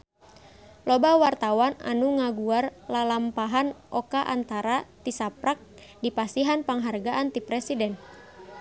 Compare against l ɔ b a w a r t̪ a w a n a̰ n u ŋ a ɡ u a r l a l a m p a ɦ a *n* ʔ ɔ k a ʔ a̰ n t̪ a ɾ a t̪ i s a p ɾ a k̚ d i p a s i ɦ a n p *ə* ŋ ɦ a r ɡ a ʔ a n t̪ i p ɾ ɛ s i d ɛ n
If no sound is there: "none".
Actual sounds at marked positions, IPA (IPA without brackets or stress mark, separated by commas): n, a